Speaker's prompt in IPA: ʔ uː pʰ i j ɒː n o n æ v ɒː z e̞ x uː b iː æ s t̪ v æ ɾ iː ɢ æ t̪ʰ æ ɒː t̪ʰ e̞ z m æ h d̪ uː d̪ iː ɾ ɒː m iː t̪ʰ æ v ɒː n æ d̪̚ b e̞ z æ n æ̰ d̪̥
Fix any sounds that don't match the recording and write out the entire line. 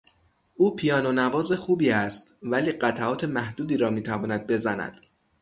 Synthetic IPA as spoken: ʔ uː pʰ i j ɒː n o n æ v ɒː z e̞ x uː b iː æ s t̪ v æ l iː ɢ æ t̪ʰ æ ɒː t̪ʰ e̞ m æ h d̪ uː d̪ iː ɾ ɒː m iː t̪ʰ æ v ɒː n æ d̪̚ b e̞ z æ n æ̰ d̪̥